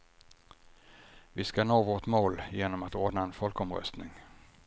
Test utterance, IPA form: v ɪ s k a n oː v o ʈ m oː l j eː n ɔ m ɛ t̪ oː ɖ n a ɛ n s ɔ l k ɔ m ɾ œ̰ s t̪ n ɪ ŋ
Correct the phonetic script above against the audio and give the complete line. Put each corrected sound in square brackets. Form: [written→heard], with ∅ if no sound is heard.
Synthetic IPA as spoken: v ɪ s k a n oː v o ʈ m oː l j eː n ɔ m [ɛ→a] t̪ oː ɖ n a ɛ n [s→f] ɔ l k ɔ m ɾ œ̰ s t̪ n ɪ ŋ